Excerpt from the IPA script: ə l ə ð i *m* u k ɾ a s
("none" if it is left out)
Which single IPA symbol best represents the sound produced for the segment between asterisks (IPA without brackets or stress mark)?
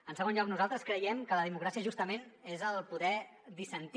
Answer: m